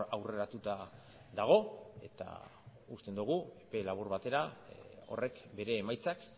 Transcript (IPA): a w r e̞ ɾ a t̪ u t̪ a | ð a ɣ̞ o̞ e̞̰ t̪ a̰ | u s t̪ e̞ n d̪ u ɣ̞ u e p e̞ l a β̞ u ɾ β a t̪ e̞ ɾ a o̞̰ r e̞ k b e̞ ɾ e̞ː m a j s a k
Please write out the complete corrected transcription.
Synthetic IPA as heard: a w r e̞ ɾ a t̪ u t̪ a | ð a ɣ̞ o̞ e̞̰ t̪ a̰ | u s t̪ e̞ n d̪ u ɣ̞ u e p e̞ l a β̞ u ɾ β a t̪ e̞ ɾ a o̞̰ r e̞ k b e̞ ɾ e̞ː m a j t͡s a k